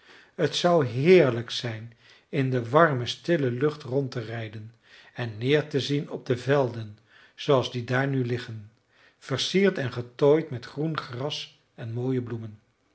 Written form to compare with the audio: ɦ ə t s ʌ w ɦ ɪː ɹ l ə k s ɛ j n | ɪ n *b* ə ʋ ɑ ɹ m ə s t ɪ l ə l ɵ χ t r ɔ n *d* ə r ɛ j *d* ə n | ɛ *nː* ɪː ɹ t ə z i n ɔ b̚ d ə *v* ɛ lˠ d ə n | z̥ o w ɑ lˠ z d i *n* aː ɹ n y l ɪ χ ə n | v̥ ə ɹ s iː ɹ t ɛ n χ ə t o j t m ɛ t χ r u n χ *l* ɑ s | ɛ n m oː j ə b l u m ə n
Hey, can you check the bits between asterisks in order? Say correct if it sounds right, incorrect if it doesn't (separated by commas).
incorrect, incorrect, correct, correct, correct, incorrect, incorrect